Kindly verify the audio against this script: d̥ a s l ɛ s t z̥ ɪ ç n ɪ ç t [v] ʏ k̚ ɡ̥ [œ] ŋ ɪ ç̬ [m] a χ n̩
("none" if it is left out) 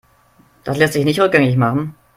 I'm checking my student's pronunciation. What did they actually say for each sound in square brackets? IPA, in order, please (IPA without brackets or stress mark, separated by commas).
ʁ, ɛ, m